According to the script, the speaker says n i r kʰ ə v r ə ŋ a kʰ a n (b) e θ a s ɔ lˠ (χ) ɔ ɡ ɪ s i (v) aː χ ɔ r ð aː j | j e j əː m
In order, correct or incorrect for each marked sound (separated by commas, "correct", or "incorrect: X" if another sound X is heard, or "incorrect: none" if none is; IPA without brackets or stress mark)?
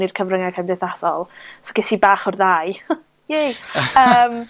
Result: incorrect: d, incorrect: s, incorrect: b